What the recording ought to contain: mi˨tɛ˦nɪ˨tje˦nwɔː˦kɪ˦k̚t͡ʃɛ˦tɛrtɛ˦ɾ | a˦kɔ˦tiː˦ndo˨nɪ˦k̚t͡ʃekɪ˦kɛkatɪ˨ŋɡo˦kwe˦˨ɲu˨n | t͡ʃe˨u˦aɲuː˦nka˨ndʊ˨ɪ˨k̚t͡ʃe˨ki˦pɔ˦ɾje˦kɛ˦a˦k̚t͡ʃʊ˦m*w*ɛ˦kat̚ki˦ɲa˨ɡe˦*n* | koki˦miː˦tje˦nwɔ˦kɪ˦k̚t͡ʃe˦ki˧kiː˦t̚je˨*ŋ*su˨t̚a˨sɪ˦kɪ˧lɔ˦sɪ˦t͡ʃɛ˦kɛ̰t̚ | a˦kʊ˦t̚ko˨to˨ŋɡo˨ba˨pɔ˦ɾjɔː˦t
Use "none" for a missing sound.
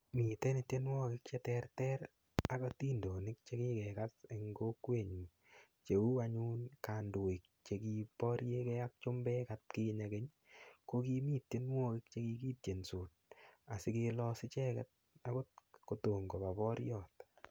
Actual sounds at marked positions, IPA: b, ɲ, n

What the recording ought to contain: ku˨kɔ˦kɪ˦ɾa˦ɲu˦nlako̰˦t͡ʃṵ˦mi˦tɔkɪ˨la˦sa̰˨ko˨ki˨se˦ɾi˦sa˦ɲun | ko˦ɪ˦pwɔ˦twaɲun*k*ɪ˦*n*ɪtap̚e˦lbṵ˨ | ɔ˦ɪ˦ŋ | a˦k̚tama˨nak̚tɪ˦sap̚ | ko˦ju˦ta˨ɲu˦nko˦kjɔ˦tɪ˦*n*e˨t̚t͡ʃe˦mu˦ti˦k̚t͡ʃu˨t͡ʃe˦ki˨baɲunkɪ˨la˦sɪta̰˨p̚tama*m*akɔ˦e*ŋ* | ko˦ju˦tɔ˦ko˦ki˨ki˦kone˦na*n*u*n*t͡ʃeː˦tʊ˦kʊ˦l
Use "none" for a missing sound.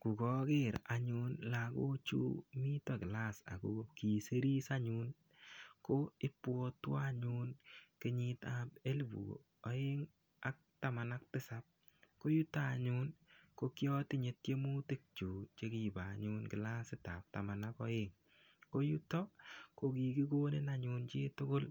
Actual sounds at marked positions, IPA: k, ɲ, ɲ, n, ŋ, ɲ, n

